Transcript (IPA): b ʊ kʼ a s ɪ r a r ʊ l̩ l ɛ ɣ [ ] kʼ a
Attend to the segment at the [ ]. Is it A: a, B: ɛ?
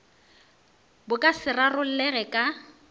B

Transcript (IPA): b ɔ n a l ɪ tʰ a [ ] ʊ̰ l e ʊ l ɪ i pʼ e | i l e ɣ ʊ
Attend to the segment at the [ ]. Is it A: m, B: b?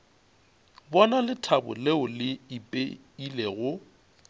B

